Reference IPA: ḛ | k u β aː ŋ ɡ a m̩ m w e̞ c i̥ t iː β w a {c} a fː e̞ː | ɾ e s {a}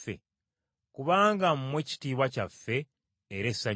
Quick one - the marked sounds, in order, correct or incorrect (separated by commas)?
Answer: correct, correct